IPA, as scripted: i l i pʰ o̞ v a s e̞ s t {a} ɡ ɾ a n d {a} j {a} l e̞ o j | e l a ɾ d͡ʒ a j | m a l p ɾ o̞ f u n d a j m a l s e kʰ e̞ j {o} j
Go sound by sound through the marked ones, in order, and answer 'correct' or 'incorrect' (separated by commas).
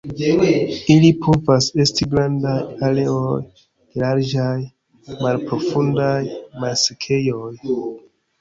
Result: incorrect, correct, correct, correct